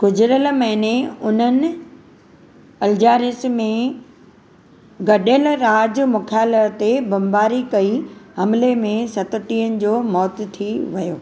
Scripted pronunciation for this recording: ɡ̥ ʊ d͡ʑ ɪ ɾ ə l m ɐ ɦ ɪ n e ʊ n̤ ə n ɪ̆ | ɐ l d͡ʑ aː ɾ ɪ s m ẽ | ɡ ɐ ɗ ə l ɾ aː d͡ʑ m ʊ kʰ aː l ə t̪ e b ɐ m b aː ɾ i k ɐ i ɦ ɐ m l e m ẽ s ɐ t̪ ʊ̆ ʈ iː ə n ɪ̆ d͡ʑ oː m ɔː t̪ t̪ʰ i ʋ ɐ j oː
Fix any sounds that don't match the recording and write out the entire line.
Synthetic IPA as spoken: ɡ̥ ʊ d͡ʑ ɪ ɾ ə l m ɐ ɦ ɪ n e ʊ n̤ ə n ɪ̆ | ɐ l d͡ʑ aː ɾ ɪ s m ẽ | ɡ ɐ ɗ ə l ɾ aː d͡ʑ m ʊ kʰ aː l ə t̪ e b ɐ m b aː ɾ i k ɐ i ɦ ɐ m l e m ẽ s ɐ t̪ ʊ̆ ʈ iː ə n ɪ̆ d͡ʑ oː m ɔː t̪ t̪ʰ i ʋ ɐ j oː